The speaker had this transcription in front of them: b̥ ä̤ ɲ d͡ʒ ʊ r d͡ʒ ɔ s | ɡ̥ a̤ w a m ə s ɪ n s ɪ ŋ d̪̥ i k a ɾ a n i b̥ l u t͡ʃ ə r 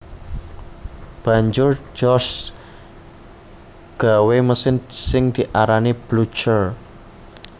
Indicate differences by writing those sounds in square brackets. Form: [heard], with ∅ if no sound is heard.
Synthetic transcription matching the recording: b̥ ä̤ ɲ d͡ʒ ʊ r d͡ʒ ɔ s | ɡ̥ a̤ w [e] m ə s ɪ n s ɪ ŋ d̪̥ i [ʔ] a ɾ a n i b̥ l u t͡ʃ ə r